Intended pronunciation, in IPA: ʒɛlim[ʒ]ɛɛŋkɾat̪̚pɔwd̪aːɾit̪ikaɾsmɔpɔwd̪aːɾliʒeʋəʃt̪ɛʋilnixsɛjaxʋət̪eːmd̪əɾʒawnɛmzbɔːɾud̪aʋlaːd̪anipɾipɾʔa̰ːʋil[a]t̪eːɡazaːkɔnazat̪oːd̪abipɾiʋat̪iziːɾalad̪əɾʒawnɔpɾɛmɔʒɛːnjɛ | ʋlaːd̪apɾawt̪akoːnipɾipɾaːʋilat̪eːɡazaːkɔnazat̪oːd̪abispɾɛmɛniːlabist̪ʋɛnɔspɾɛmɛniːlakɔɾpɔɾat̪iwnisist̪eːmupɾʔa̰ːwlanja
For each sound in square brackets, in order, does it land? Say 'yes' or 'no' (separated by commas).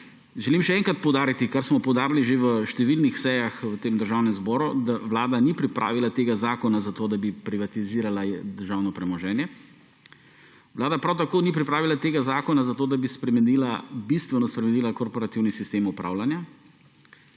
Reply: no, yes